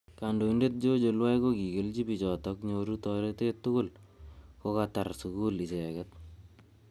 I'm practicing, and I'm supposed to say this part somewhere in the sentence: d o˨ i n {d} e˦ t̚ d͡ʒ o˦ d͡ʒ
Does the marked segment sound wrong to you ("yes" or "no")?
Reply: no